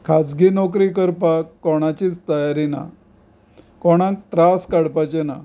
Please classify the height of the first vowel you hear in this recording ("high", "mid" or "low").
low